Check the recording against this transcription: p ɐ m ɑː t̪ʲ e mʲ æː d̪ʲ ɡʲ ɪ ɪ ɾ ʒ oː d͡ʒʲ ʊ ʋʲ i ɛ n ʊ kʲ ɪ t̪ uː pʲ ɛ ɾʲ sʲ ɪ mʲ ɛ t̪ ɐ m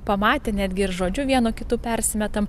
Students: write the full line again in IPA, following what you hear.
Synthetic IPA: p ɐ m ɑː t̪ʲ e nʲ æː d̪ʲ ɡʲ ɪ ɪ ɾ ʒ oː d͡ʒʲ ʊ ʋʲ i ɛ n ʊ kʲ ɪ t̪ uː pʲ ɛ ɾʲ sʲ ɪ mʲ ɛ t̪ ɐ m